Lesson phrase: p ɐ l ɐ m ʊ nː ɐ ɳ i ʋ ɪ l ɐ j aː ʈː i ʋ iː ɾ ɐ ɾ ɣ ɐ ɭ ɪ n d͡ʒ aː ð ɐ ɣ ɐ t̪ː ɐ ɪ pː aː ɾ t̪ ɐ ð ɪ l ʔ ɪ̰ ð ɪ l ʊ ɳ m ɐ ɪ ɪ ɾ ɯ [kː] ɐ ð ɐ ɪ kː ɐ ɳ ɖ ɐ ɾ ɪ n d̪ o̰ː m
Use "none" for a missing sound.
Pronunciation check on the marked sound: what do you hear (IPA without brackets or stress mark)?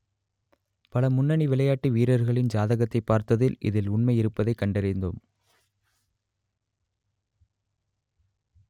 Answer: pː